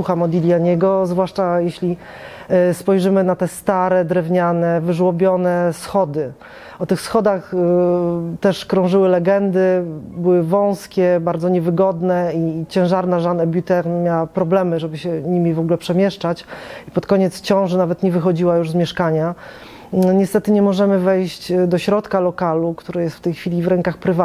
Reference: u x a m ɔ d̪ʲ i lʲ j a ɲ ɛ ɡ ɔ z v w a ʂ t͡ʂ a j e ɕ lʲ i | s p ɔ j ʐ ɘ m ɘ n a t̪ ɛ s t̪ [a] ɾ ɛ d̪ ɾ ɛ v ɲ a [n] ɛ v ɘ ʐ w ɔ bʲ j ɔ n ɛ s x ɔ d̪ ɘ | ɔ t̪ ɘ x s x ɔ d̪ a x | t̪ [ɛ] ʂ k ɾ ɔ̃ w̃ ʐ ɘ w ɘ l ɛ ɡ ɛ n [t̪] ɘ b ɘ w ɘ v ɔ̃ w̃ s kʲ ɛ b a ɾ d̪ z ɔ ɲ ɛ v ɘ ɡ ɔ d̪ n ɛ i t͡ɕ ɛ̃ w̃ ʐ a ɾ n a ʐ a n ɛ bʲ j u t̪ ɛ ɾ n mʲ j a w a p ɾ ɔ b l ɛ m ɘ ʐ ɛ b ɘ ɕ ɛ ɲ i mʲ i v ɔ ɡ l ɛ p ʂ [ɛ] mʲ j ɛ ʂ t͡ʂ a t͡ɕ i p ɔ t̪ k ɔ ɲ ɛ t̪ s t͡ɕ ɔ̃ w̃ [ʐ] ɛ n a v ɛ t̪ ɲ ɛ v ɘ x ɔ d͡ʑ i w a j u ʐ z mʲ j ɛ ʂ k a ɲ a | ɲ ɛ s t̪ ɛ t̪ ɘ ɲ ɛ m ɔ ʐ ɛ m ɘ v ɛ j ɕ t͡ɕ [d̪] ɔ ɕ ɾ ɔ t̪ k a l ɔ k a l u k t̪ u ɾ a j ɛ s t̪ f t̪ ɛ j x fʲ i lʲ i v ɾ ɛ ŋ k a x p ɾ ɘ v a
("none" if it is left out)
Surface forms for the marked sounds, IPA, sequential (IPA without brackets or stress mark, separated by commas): a, n, ɛ, d̪, ɛ, ʐ, d̪